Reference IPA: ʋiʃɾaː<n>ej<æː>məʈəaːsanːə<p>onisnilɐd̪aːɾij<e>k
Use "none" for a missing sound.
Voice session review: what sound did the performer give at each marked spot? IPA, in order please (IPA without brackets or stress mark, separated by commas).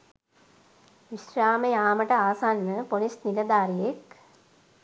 m, aː, p, e